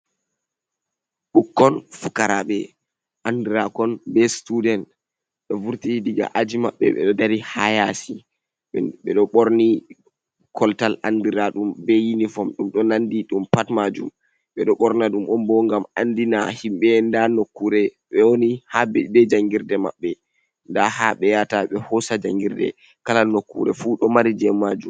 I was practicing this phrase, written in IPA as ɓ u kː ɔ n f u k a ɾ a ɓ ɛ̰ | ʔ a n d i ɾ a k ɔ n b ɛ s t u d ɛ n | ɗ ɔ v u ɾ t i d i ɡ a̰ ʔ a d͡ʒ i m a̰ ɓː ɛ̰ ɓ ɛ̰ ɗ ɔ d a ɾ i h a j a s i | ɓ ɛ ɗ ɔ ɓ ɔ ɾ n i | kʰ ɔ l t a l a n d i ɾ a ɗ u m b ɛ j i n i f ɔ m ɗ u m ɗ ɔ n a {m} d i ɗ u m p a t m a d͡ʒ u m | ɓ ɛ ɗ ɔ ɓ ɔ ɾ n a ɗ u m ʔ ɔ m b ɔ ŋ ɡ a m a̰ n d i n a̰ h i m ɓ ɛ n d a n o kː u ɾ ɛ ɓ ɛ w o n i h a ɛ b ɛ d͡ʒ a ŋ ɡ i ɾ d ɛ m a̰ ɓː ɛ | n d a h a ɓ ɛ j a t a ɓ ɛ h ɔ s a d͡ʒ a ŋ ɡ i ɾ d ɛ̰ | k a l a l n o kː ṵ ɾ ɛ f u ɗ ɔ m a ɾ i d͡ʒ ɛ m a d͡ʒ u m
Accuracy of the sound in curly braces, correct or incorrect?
incorrect